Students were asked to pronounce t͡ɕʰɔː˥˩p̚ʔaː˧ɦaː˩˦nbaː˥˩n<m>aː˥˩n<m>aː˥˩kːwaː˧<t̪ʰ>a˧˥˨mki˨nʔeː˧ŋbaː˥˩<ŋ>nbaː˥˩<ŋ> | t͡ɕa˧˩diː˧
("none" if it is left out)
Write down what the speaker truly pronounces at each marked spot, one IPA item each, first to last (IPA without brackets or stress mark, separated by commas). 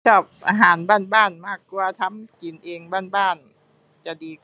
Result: b, m, t̪ʰ, none, n